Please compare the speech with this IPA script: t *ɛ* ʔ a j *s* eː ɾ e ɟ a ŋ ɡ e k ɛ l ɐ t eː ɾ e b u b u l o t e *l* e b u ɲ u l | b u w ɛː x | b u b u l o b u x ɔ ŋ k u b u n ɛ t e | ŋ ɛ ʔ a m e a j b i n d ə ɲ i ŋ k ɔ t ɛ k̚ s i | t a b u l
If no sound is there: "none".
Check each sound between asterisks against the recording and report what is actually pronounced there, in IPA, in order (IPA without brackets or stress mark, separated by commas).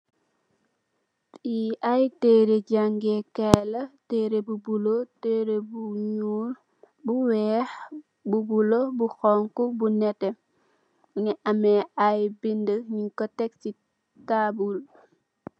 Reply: i, t, ɾ